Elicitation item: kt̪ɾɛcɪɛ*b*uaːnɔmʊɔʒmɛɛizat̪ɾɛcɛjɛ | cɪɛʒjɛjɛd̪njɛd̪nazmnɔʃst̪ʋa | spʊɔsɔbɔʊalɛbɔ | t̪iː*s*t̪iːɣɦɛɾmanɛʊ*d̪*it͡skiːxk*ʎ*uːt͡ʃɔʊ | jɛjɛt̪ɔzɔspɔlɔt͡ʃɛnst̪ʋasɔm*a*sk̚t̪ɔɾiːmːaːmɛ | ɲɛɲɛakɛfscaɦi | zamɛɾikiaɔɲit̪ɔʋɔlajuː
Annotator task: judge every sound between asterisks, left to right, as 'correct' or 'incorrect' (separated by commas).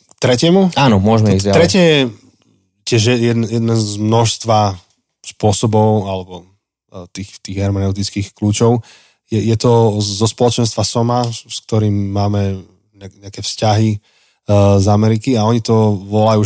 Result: incorrect, incorrect, incorrect, incorrect, correct